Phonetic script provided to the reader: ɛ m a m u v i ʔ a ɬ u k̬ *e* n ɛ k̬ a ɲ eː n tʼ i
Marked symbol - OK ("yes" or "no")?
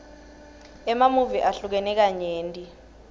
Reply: no